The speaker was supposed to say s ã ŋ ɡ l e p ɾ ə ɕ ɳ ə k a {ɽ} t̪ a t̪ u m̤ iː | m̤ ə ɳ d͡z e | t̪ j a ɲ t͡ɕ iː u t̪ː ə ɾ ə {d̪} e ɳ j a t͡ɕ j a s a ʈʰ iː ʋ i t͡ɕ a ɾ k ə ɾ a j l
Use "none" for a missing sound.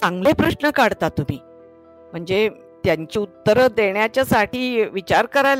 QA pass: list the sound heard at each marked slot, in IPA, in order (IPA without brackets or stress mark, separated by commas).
ɽ, d̪